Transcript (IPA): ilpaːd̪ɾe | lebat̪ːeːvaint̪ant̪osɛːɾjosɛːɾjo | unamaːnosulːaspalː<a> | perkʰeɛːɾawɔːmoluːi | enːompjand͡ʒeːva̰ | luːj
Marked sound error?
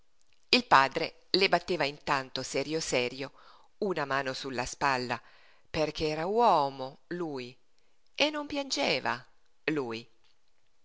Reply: no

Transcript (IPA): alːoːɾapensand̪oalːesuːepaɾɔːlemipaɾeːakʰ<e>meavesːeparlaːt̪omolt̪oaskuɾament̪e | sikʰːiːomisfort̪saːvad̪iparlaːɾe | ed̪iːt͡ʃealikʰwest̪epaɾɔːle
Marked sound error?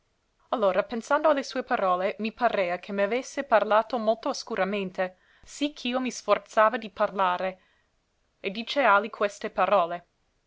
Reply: no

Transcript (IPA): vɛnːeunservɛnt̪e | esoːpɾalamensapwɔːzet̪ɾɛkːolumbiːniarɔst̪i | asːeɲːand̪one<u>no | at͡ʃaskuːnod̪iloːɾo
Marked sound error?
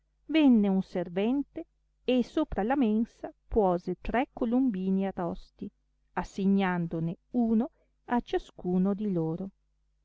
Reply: yes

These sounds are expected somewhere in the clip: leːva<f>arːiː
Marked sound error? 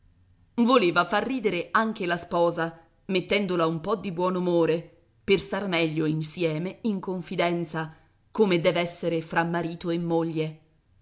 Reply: no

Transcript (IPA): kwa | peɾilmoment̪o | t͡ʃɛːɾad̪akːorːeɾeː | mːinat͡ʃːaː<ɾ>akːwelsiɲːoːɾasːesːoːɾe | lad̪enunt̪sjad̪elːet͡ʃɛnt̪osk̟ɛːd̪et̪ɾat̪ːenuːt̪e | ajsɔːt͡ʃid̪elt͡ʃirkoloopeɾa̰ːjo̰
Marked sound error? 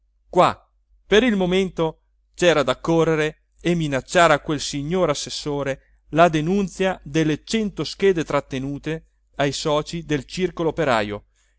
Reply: no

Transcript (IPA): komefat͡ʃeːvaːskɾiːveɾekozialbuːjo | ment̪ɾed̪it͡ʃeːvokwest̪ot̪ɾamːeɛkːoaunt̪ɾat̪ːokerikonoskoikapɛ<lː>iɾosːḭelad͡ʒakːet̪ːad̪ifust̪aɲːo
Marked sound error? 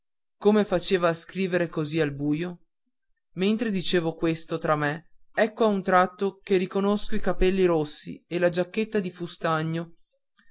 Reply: no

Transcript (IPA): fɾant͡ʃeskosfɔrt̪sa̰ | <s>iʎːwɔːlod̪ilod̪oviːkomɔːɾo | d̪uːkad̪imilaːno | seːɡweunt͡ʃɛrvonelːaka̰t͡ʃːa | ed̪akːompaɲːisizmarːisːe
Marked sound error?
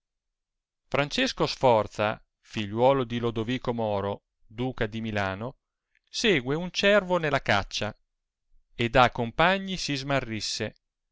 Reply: yes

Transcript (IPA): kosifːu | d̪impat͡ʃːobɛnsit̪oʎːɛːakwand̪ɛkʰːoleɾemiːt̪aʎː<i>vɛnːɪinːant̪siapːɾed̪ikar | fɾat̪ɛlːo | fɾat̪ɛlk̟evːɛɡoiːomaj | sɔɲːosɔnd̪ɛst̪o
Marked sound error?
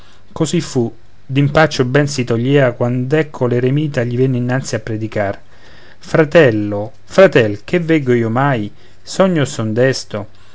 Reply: no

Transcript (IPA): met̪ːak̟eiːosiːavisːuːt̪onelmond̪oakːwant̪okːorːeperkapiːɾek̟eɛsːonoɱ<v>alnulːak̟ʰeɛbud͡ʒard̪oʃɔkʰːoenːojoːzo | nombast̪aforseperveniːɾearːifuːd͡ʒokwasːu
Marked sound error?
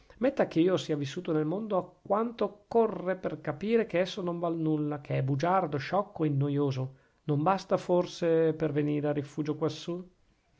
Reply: no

